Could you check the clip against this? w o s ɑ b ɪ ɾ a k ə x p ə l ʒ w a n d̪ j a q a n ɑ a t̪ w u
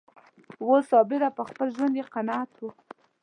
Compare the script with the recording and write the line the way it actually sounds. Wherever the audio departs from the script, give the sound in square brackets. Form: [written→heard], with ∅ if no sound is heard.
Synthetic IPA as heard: w o s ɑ b ɪ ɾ a [k→p] ə x p ə l ʒ w a n d̪ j [a→e] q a n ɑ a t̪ w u